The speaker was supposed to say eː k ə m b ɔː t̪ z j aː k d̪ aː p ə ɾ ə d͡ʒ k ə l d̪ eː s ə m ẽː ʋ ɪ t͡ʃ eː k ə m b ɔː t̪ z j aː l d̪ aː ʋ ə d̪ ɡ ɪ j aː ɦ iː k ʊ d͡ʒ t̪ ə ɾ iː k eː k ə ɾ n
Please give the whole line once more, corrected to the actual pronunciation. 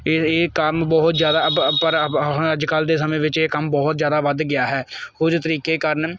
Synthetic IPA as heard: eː k ə m b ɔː t̪ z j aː d̪ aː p ə ɾ ə d͡ʒ k ə l d̪ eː s ə m ẽː ʋ ɪ t͡ʃ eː k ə m b ɔː t̪ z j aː d̪ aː ʋ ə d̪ ɡ ɪ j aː ɦ ɛː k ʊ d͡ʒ t̪ ə ɾ iː k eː k ə ɾ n